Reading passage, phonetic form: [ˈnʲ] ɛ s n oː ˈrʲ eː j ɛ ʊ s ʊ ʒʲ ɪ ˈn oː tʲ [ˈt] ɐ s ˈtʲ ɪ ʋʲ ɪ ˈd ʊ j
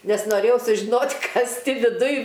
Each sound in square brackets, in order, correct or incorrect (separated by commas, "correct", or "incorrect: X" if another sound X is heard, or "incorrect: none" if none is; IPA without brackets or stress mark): correct, incorrect: k